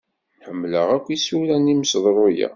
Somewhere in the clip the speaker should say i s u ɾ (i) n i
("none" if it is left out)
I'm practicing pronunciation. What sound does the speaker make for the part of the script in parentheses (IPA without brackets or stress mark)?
æ